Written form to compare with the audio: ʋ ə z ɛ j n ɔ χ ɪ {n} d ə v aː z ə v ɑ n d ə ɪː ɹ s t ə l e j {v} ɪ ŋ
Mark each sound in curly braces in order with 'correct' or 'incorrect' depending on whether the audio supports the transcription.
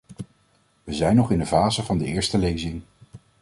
correct, incorrect: z

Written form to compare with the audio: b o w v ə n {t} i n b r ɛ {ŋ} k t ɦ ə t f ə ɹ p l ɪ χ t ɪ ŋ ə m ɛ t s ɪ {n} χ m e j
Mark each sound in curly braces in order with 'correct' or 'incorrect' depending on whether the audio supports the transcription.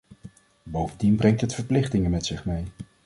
incorrect: d, correct, incorrect: none

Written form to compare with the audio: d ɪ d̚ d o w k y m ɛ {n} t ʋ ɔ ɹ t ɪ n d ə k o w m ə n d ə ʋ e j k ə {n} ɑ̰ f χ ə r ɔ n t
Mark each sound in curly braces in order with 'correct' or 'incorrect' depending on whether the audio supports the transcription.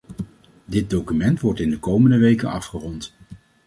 correct, correct

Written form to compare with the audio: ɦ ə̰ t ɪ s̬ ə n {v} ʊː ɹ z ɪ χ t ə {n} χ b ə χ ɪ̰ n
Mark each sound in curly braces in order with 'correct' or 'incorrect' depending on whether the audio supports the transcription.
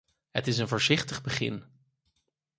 correct, incorrect: none

